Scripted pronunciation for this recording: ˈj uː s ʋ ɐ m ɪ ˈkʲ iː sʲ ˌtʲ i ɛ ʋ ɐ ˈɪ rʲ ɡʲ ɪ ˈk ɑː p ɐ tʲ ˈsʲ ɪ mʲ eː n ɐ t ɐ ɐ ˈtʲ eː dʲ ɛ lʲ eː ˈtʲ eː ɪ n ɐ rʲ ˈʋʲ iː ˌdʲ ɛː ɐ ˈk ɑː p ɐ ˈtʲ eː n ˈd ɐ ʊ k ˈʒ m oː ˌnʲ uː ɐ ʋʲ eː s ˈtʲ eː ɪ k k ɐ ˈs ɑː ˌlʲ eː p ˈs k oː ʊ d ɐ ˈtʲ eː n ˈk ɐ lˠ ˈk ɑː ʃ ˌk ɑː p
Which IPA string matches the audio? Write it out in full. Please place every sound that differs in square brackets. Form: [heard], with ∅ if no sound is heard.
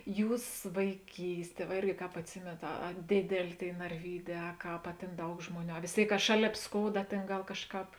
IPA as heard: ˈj uː s ʋ ɐ [∅] ɪ ˈkʲ iː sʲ ˌtʲ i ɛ ʋ ɐ ˈɪ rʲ ɡʲ ɪ ˈk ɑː p ɐ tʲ ˈsʲ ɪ mʲ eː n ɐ t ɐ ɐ [ˈdʲ] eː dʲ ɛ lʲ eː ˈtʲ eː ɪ n ɐ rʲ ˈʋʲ iː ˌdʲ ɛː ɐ ˈk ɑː p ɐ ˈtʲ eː n ˈd ɐ ʊ k ˈʒ m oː ˌnʲ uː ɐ ʋʲ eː s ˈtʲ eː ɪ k k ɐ [ˈʃ] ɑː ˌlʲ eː p ˈs k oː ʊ d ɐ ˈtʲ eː n [ˈɡ] ɐ lˠ ˈk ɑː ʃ ˌk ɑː p

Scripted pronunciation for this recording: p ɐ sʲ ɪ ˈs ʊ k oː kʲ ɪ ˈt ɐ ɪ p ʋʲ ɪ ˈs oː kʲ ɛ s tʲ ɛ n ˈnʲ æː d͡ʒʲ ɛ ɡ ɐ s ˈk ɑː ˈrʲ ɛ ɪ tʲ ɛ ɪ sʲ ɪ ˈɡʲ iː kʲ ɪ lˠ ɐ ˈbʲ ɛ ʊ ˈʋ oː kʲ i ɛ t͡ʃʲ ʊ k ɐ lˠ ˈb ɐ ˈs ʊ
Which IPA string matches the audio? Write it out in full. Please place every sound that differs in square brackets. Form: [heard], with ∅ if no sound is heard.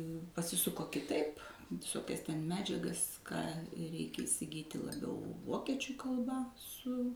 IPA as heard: p ɐ sʲ ɪ ˈs ʊ k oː kʲ ɪ ˈt ɐ ɪ p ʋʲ ɪ ˈs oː kʲ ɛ s tʲ ɛ n [ˈmʲ] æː d͡ʒʲ ɛ ɡ ɐ s ˈk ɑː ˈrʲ ɛ ɪ [kʲ] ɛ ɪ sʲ ɪ ˈɡʲ iː [tʲ] ɪ lˠ ɐ ˈbʲ ɛ ʊ ˈʋ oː kʲ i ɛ t͡ʃʲ ʊ k ɐ lˠ ˈb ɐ ˈs ʊ

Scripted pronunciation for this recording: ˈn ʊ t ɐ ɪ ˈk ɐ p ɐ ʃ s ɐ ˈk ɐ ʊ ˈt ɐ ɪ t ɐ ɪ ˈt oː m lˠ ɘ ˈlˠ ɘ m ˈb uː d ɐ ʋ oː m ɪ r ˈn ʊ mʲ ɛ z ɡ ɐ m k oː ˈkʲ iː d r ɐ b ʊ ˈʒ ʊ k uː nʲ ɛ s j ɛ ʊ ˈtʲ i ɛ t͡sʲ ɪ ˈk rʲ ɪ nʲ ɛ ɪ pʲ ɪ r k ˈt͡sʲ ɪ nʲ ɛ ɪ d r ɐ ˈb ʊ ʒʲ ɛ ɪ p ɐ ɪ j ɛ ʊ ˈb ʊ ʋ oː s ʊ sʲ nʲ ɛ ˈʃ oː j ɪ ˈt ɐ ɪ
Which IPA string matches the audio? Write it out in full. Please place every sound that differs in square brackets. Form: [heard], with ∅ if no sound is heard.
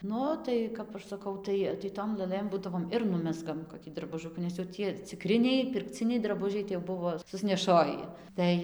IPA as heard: ˈn ʊ t ɐ ɪ ˈk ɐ p ɐ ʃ s ɐ ˈk ɐ ʊ ˈt ɐ ɪ t ɐ ɪ ˈt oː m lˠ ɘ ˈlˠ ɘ m ˈb uː d ɐ ʋ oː m ɪ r ˈn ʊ mʲ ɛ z ɡ ɐ m k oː ˈkʲ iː d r ɐ b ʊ ˈʒ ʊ k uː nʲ ɛ s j ɛ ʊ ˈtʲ i ɛ t͡sʲ ɪ ˈk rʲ ɪ nʲ ɛ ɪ pʲ ɪ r k ˈt͡sʲ ɪ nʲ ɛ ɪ d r ɐ ˈb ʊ ʒʲ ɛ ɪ [t] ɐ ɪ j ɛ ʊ ˈb ʊ ʋ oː s ʊ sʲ nʲ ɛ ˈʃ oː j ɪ ˈt ɐ ɪ

